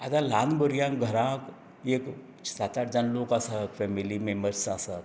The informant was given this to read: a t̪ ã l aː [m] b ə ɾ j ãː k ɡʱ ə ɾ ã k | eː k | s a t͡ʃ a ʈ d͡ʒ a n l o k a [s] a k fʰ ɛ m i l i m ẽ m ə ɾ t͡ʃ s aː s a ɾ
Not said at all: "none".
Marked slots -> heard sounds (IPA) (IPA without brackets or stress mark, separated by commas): n, s